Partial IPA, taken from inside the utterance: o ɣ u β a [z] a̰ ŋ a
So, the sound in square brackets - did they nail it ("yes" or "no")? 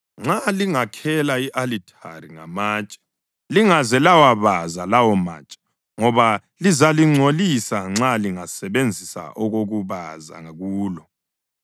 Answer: yes